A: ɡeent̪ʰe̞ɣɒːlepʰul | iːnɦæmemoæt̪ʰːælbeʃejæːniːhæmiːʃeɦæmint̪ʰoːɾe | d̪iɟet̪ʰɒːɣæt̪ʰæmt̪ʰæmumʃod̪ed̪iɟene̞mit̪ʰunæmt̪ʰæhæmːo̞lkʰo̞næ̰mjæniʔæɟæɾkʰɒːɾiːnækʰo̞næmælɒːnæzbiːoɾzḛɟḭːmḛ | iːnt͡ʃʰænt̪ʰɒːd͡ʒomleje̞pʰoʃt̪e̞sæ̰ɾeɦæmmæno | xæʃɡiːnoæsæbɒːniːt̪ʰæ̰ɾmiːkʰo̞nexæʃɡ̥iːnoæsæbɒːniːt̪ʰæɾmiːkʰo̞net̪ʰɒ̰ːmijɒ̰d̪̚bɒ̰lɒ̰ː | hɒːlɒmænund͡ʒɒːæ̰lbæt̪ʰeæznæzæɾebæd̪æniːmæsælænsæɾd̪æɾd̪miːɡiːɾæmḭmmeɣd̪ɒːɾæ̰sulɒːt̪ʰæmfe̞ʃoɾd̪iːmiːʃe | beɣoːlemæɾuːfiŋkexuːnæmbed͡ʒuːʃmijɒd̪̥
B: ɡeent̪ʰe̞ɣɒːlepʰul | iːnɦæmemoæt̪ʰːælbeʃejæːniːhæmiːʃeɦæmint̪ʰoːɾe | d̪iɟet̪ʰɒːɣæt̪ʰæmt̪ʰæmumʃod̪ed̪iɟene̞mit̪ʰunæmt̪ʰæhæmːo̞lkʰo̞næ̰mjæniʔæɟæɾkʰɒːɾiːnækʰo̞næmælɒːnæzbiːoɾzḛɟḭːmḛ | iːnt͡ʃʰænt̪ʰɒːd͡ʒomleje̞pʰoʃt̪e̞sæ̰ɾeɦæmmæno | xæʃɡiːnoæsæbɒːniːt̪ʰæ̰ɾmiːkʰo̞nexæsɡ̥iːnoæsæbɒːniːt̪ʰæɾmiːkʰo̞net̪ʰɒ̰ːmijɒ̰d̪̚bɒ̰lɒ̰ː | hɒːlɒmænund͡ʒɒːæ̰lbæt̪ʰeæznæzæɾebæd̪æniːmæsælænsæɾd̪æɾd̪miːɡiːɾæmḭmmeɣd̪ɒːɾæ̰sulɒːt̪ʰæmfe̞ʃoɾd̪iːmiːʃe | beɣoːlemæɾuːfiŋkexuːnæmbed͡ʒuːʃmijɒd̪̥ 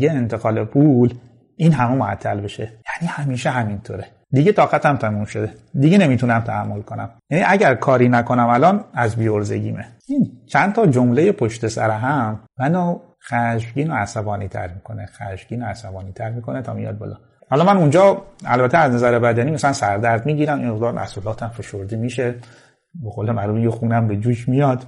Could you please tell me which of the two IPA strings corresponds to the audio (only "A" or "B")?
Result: A